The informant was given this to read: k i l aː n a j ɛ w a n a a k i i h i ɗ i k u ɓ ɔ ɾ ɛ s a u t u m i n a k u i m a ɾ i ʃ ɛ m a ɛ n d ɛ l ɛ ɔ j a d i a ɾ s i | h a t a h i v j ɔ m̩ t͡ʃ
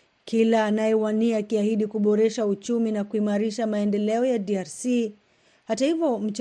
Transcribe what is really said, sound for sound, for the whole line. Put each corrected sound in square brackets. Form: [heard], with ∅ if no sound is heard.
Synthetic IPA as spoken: k i l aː n a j ɛ w a n [i] a k i [a] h i ɗ i k u ɓ ɔ ɾ ɛ [ʃ] a u [t͡ʃ] u m i n a k u i m a ɾ i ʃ [a] m a ɛ n d ɛ l ɛ ɔ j a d i a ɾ s i | h a t a h i v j ɔ m̩ t͡ʃ